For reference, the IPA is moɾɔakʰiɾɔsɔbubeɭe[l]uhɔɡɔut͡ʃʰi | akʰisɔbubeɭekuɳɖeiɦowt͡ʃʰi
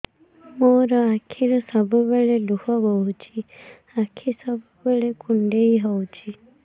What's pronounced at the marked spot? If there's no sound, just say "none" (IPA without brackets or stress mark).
l